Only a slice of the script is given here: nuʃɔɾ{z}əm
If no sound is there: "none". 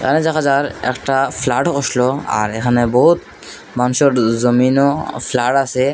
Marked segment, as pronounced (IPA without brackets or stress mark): z